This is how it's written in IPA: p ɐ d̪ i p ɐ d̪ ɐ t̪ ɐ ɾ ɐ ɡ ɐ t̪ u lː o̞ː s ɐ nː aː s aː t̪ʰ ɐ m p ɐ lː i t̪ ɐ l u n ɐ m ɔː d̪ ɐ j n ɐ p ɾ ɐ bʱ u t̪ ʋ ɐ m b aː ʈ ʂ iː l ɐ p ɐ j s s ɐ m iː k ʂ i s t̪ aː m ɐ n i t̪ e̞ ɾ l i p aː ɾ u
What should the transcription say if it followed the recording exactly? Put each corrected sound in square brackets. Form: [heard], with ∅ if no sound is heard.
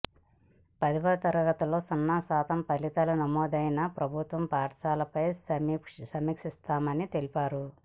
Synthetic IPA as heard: p ɐ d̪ i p ɐ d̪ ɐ t̪ ɐ ɾ ɐ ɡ ɐ t̪ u [l] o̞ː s ɐ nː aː s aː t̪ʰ ɐ m p ɐ [l] i t̪ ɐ l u n ɐ m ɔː d̪ ɐ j n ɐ p ɾ ɐ bʱ u t̪ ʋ ɐ m [p] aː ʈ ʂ [aː] l ɐ p ɐ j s s ɐ m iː k ʂ i s t̪ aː m ɐ n i t̪ e̞ [∅] l i p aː ɾ u